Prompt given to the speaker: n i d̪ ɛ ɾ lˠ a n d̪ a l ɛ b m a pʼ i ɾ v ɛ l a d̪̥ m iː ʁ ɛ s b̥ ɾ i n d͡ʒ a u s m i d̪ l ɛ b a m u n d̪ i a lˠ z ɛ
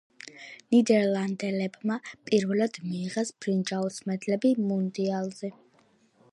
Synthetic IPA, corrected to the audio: n i d̪ ɛ ɾ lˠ a n d̪ ɛ l ɛ b m a pʼ i ɾ v ɛ l a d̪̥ m iː ʁ ɛ s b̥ ɾ i n d͡ʒ a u s m ɛ d̪ l ɛ b i m u n d̪ i a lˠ z ɛ